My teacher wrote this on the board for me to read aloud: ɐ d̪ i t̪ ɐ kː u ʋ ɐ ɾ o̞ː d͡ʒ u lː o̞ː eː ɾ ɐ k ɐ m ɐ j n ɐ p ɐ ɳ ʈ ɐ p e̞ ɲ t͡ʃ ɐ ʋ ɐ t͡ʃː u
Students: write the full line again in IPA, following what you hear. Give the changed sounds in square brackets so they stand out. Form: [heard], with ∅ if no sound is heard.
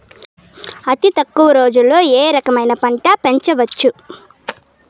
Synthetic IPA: ɐ [t̪] i t̪ ɐ kː u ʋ ɐ ɾ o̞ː d͡ʒ u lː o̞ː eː ɾ ɐ k ɐ m ɐ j n ɐ p ɐ ɳ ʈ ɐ p e̞ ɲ t͡ʃ ɐ ʋ ɐ t͡ʃː u